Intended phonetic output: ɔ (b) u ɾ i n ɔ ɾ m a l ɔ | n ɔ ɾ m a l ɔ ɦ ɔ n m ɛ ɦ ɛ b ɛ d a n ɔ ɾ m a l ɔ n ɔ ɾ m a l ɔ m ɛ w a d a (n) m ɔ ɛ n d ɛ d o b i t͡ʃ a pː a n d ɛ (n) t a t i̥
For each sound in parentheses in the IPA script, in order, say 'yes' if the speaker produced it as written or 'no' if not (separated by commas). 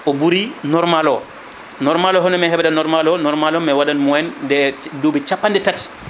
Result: yes, yes, no